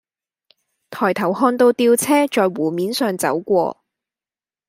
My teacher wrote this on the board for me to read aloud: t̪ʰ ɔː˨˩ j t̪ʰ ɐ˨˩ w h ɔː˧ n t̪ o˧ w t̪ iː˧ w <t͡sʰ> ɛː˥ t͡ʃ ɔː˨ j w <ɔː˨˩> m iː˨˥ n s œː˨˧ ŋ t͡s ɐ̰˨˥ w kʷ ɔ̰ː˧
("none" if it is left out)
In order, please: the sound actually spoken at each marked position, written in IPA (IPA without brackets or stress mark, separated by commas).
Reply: t͡sʰ, uː˨˩